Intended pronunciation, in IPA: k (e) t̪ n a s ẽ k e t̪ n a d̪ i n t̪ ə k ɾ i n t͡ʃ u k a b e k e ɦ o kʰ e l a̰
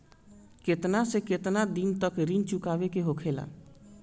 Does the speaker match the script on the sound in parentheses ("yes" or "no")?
yes